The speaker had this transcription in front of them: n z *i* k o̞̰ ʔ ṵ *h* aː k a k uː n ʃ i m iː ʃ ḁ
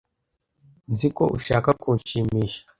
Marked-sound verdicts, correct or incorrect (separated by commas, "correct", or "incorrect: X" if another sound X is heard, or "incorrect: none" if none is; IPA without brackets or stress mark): correct, incorrect: ʃ